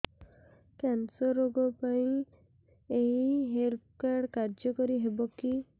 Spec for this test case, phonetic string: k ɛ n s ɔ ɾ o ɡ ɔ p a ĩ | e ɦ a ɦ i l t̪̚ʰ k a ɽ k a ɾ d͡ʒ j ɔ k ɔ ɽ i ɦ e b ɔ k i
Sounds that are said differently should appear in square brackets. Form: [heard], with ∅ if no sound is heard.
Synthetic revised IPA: k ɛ n s ɔ ɾ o ɡ ɔ p a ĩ | e ɦ [i] ɦ [e] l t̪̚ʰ k a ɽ k a ɾ d͡ʒ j ɔ k ɔ [ɾ] i ɦ e b ɔ k i